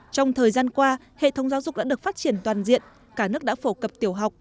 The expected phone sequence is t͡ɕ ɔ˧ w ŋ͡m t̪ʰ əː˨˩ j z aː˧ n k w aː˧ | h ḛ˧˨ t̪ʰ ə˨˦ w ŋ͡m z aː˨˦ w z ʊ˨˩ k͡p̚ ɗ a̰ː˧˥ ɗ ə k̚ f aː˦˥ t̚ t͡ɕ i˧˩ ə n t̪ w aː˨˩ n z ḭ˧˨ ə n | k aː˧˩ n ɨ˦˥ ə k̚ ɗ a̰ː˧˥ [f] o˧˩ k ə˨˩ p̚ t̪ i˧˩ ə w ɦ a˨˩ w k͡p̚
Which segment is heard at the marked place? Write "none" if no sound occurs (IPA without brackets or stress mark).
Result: f